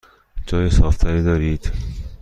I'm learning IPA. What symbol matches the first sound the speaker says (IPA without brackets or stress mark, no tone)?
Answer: d͡ʒ